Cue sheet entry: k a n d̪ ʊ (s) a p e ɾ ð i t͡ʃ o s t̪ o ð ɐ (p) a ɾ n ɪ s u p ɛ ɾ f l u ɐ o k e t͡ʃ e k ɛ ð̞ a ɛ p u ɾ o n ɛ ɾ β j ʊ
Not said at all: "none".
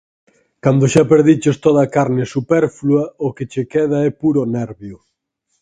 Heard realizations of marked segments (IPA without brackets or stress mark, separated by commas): ʃ, k